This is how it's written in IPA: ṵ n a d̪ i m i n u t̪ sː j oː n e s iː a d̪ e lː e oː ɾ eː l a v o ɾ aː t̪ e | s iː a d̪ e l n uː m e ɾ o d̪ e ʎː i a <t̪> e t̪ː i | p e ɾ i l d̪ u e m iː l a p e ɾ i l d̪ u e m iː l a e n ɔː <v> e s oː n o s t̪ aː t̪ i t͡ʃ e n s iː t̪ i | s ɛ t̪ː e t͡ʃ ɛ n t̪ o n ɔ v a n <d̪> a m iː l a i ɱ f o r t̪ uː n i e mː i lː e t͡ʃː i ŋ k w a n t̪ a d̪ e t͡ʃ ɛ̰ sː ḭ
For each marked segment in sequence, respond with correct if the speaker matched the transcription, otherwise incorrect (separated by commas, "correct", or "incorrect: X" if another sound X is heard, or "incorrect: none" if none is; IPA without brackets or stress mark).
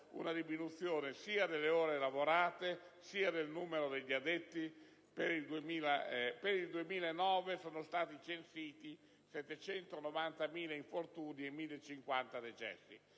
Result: incorrect: d̪, correct, incorrect: t̪